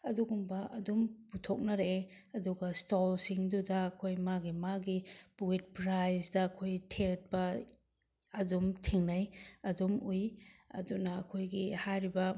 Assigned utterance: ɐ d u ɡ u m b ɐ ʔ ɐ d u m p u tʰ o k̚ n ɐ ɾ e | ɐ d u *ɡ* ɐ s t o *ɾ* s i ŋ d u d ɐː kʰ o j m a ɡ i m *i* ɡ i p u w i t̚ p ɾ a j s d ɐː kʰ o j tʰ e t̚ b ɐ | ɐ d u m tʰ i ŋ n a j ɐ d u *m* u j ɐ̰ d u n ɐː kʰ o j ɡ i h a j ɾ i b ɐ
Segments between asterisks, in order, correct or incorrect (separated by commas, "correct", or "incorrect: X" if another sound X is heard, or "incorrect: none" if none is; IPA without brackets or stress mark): correct, incorrect: l, incorrect: a, correct